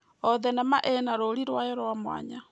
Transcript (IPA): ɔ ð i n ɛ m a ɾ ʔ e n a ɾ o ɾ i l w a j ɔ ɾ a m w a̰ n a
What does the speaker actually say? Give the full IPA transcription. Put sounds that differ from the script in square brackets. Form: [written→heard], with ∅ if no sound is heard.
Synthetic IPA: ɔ ð [i→ɛ] n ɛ m a [ɾ→∅] ʔ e n a ɾ o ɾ i [l→ɾ] w a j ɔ ɾ a m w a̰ [n→ɲ] a